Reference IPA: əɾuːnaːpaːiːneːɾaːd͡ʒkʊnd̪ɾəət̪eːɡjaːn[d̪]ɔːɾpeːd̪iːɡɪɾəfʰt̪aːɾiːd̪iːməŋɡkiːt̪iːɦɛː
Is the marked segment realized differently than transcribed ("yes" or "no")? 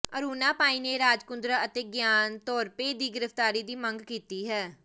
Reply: yes